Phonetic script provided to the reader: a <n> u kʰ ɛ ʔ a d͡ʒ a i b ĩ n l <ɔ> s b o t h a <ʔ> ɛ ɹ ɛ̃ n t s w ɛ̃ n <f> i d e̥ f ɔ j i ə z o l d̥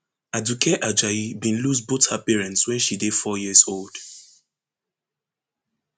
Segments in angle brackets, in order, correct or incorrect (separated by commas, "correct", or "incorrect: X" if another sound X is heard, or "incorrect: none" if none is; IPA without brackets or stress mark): incorrect: d, incorrect: u, incorrect: p, incorrect: ʃ